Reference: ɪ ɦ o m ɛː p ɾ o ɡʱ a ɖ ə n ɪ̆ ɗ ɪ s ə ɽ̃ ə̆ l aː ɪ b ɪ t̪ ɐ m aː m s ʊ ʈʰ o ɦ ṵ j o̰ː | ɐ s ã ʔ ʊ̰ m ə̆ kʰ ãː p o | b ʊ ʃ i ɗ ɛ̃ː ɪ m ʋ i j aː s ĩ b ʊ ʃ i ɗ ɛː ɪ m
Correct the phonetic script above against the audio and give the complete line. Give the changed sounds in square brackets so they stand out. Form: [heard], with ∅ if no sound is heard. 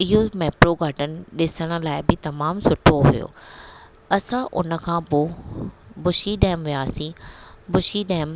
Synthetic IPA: ɪ ɦ o m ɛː p ɾ o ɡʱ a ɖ ə n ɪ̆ ɗ ɪ s ə ɽ̃ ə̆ l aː ɪ b ɪ t̪ ɐ m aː m s ʊ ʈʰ o ɦ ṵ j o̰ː | ɐ s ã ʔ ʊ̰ [n] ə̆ kʰ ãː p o | b ʊ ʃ i ɗ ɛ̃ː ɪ m ʋ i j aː s ĩ b ʊ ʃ i ɗ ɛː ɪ m

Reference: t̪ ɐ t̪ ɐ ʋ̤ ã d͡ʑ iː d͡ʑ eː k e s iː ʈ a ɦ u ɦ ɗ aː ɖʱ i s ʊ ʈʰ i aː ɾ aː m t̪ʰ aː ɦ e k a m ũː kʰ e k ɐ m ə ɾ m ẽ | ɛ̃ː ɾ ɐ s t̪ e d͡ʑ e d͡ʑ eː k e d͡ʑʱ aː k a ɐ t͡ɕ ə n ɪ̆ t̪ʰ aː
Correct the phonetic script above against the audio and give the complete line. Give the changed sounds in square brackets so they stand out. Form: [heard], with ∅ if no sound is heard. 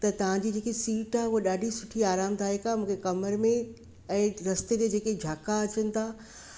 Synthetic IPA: t̪ ɐ t̪ ɐ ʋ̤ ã d͡ʑ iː d͡ʑ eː k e s iː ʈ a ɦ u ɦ ɗ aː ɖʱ i s ʊ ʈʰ i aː ɾ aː m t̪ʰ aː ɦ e k a m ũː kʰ e k ɐ m ə ɾ m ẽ | ɛ̃ː ɾ ɐ s t̪ e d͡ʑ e d͡ʑ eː k e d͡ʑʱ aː k a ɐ t͡ɕ ə n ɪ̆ t̪ʰ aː

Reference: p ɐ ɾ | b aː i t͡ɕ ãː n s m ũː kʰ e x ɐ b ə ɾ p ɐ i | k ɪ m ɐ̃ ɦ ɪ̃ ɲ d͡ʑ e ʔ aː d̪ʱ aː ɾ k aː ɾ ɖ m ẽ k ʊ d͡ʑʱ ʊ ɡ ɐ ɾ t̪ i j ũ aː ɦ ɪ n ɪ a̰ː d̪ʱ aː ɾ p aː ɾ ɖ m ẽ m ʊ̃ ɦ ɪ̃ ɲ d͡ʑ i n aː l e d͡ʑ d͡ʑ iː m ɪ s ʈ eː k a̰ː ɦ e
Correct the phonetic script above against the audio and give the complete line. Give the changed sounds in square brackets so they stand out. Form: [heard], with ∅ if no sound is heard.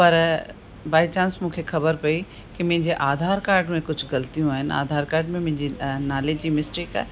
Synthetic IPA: p ɐ ɾ | b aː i t͡ɕ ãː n s m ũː kʰ e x ɐ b ə ɾ p ɐ i | k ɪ m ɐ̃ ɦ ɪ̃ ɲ d͡ʑ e ʔ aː d̪ʱ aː ɾ k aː ɾ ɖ m ẽ k ʊ d͡ʑʱ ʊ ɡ ɐ [l] t̪ i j ũ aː ɦ ɪ n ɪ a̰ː d̪ʱ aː ɾ [k] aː ɾ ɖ m ẽ m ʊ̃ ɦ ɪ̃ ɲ d͡ʑ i n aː l e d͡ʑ d͡ʑ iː m ɪ s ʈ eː k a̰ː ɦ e

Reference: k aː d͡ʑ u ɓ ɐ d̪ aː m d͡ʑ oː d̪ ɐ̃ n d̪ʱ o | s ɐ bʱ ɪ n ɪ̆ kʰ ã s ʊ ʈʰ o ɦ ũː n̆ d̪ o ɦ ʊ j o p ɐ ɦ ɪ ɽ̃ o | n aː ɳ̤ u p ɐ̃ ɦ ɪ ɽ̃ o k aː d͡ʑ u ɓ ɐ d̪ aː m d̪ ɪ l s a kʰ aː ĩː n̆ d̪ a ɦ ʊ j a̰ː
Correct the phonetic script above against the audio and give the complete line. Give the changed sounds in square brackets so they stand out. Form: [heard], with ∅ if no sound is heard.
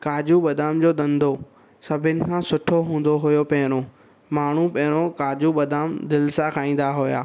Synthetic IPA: k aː d͡ʑ u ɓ ɐ d̪ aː m d͡ʑ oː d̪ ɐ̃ n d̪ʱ o | s ɐ bʱ ɪ n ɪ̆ kʰ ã s ʊ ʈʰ o ɦ ũː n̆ d̪ o ɦ ʊ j o p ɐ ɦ ɪ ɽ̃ o | [m] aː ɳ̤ u p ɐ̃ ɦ ɪ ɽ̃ o k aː d͡ʑ u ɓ ɐ d̪ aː m d̪ ɪ l s a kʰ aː ĩː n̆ d̪ a ɦ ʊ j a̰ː

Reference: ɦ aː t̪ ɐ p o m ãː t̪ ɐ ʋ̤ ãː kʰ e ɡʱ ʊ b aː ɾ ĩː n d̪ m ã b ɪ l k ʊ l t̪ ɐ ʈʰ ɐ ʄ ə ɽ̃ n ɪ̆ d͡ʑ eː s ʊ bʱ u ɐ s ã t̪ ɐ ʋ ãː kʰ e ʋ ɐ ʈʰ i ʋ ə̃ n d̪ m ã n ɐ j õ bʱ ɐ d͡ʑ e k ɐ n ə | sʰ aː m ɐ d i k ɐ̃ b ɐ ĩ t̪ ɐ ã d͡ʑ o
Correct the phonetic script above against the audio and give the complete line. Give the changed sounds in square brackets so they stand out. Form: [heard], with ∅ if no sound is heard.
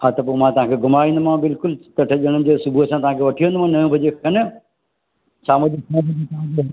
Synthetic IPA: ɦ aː t̪ ɐ p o m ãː t̪ ɐ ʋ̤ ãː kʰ e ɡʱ ʊ [m] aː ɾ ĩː n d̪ m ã b ɪ l k ʊ l t̪ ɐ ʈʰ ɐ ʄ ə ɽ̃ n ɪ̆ d͡ʑ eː s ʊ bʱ u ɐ s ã t̪ ɐ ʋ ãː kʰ e ʋ ɐ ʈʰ i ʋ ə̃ n d̪ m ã n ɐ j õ bʱ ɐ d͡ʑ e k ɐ n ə | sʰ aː m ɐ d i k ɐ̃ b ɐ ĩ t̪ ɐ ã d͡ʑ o

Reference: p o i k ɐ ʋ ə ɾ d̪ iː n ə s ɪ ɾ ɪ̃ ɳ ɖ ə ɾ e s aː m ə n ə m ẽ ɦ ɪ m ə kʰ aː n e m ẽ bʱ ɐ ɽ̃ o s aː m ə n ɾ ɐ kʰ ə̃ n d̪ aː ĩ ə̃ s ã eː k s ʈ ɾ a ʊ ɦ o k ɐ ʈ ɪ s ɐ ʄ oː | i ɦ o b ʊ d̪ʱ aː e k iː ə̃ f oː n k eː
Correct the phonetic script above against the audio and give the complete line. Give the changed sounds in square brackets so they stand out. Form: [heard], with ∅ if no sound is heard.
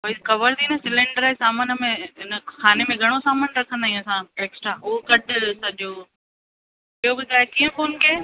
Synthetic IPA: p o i k ɐ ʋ ə ɾ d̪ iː n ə s ɪ [l] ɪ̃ ɳ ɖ ə ɾ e s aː m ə n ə m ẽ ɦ ɪ [n] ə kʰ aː n e m ẽ [ɡʱ] ɐ ɽ̃ o s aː m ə n ɾ ɐ kʰ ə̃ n d̪ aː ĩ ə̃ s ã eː k s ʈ ɾ a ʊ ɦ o k ɐ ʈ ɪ s ɐ ʄ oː | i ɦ o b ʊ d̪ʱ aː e k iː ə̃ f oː n k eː

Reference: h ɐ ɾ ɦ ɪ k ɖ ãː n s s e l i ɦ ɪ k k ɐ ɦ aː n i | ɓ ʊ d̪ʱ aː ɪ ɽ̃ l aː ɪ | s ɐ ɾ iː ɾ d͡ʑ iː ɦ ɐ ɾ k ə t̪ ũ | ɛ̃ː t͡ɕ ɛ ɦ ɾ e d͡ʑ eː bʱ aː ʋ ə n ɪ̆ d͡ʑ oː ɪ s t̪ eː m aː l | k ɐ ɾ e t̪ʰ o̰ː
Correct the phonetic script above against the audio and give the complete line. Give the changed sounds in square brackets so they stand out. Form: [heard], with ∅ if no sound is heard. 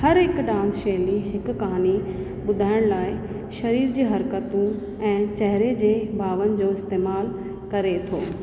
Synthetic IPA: h ɐ ɾ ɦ ɪ k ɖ ãː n s [ʃ] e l i ɦ ɪ k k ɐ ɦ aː n i | ɓ ʊ d̪ʱ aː ɪ ɽ̃ l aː ɪ | [ʃ] ɐ ɾ iː ɾ d͡ʑ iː ɦ ɐ ɾ k ə t̪ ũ | ɛ̃ː t͡ɕ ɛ ɦ ɾ e d͡ʑ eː bʱ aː ʋ ə n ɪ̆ d͡ʑ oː ɪ s t̪ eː m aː l | k ɐ ɾ e t̪ʰ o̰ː

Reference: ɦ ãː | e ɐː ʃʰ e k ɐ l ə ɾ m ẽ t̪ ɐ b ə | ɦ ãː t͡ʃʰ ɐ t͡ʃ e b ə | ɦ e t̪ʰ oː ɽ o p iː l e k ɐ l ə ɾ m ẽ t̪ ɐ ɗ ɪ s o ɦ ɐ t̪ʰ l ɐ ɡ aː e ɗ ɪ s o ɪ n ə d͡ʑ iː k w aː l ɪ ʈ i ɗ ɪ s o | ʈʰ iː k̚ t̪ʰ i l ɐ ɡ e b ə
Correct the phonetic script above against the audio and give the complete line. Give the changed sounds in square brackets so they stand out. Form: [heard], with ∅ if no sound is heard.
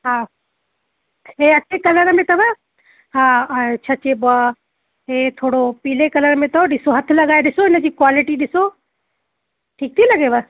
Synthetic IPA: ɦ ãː | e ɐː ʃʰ e k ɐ l ə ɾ m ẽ t̪ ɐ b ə | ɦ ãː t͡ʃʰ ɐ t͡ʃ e b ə | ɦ e t̪ʰ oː ɽ o p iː l e k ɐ l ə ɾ m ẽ t̪ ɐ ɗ ɪ s o ɦ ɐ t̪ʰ l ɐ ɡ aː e ɗ ɪ s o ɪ n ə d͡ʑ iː k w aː l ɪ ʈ i ɗ ɪ s o | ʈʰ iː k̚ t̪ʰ i l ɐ ɡ e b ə

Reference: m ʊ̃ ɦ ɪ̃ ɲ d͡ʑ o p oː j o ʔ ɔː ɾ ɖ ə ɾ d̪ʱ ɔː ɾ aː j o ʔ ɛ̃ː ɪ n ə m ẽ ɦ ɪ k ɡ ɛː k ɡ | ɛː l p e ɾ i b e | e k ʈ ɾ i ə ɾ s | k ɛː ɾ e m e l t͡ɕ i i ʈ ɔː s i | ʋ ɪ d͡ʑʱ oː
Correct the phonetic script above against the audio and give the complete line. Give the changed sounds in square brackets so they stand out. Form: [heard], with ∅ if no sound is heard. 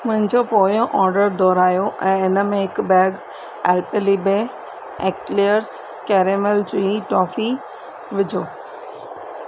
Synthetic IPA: m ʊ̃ ɦ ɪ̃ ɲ d͡ʑ o p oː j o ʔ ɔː ɾ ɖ ə ɾ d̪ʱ ɔː ɾ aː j o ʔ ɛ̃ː ɪ n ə m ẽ ɦ ɪ k [b] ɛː [∅] ɡ | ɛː l p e [l] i b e | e k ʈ [l] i ə ɾ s | k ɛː ɾ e m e l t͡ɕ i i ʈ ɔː [f] i | ʋ ɪ d͡ʑʱ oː

